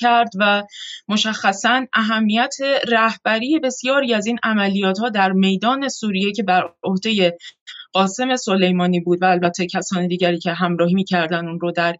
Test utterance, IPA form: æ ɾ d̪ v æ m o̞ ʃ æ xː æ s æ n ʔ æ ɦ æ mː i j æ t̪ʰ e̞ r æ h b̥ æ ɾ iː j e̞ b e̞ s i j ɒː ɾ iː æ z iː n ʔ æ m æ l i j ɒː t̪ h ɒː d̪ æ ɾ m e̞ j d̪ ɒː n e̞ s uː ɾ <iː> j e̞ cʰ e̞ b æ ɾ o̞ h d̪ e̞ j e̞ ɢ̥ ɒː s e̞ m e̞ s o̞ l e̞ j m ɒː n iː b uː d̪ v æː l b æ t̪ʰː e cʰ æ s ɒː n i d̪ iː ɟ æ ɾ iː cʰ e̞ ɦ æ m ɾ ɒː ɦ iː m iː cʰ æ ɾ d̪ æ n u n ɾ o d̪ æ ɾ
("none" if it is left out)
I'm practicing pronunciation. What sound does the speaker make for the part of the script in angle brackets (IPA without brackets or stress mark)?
i